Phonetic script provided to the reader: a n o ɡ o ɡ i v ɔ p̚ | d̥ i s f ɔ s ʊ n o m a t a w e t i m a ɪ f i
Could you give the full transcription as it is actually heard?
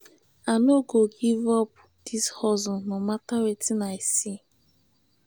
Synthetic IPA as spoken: a n o ɡ o ɡ i v ɔ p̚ | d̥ i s h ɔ z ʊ n o m a t a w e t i n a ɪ s i

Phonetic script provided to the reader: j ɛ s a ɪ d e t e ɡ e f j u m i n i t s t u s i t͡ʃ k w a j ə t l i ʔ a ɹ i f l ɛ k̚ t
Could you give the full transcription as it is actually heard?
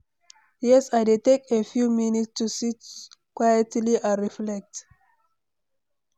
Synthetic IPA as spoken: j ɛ s a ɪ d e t e k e f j u m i n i t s t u s i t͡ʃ k w a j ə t l i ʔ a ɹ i f l ɛ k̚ t

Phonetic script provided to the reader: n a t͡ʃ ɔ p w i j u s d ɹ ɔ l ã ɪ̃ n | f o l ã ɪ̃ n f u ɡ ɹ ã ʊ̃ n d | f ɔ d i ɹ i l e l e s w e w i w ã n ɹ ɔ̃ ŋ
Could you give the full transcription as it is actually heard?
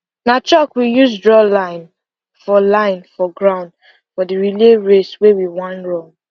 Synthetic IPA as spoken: n a t͡ʃ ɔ k w i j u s d ɹ ɔ l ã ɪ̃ n | f ɔ l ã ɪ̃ n f ɔ ɡ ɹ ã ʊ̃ n d | f ɔ d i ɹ i l e ɹ e s w e w i w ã n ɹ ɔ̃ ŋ

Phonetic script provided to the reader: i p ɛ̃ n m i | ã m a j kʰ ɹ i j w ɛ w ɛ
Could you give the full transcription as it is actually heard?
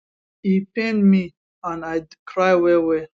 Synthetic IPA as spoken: i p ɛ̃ n m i | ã n a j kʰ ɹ a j w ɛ w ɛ

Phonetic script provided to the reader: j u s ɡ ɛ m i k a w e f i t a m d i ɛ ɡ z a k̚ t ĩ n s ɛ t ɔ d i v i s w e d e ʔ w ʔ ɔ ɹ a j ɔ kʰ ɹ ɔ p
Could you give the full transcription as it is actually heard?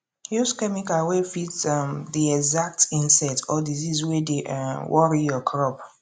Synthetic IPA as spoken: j u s k ɛ m i k a w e f i t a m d i ɛ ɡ z a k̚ t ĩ n s ɛ t ɔ d i z i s w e d e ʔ w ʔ ɔ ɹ i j ɔ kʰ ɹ ɔ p

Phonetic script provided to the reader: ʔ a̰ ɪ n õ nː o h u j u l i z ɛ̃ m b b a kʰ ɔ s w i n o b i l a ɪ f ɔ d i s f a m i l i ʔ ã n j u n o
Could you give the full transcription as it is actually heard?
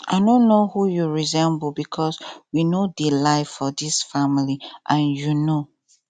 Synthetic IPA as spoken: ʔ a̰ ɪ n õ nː o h u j u ɹ i z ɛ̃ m b b i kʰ ɔ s w i n o d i l a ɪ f ɔ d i s f a m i l i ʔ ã n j u n o

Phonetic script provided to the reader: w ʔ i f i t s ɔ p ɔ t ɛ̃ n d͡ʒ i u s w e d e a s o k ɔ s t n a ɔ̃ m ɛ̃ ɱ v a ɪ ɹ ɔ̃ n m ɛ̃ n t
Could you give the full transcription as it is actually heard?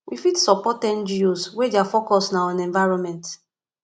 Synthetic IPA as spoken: w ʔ i f i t s ɔ p ɔ t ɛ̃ n d͡ʒ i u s w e d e a f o k ɔ s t n a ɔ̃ n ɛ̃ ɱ v a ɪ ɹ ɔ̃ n m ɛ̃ n t

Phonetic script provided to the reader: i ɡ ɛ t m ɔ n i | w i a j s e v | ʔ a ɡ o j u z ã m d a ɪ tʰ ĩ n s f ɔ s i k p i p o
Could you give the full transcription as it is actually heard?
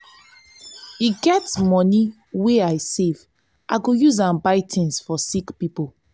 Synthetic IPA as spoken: i ɡ ɛ t m ɔ n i | w e a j s e v | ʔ a ɡ o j u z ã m b a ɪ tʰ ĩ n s f ɔ s i k p i p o

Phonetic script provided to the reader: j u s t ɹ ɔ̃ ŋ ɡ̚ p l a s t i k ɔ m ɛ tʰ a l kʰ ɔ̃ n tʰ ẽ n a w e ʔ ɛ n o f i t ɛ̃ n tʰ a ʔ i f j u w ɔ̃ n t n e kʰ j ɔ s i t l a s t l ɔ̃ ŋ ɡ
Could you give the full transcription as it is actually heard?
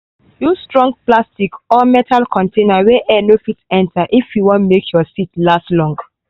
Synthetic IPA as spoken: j u s t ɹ ɔ̃ ŋ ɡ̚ p l a s t i k ɔ m ɛ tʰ a l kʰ ɔ̃ n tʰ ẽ n a w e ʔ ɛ n o f i t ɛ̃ n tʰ a ʔ i f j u w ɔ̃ n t m e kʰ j ɔ s i t l a s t l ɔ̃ ŋ ɡ

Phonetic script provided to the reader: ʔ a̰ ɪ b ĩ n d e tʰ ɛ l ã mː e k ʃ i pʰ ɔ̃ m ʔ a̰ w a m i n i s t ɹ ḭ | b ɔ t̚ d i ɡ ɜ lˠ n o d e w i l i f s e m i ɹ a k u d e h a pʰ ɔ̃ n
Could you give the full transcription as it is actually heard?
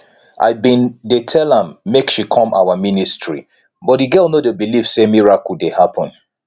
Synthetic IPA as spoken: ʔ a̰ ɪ b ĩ n d e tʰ ɛ l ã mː e k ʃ i kʰ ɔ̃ m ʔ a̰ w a m i n i s t ɹ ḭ | b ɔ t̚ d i ɡ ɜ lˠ n o d e b i l i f s e m i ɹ a k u d e h a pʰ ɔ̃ n

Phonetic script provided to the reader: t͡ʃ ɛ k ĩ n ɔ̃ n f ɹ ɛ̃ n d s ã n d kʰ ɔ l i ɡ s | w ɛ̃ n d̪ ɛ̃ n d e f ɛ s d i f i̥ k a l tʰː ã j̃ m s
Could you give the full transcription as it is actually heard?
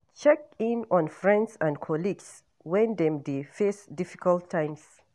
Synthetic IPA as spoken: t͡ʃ ɛ k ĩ n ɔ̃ n f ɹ ɛ̃ n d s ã n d kʰ ɔ l i ɡ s | w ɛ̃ n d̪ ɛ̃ m d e f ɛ s d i f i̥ k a l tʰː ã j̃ m s

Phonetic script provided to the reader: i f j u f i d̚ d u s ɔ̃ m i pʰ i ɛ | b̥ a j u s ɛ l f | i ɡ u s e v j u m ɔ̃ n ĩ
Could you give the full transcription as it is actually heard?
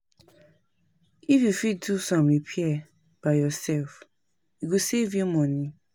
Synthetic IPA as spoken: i f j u f i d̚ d u s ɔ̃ m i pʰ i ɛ | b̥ a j ɔ s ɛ l f | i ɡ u s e v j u m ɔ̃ n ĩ

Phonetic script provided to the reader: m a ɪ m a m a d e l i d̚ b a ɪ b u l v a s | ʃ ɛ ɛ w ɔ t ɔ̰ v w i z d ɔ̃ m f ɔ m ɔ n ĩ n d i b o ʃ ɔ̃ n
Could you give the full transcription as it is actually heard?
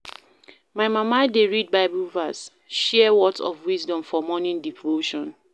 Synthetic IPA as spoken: m a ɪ m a m a d e ɹ i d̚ b a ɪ b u l v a s | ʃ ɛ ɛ w ɔ t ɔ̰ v w i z d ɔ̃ m f ɔ m ɔ n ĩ n d i v o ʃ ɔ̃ n

